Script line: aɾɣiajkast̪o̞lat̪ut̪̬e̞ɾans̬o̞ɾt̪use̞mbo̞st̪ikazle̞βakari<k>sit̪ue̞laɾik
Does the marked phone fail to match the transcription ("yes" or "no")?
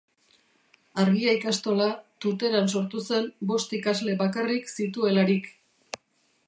no